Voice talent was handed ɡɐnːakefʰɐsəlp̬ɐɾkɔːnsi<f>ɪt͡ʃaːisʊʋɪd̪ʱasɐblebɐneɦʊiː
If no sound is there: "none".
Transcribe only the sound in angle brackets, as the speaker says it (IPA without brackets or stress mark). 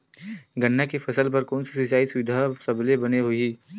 s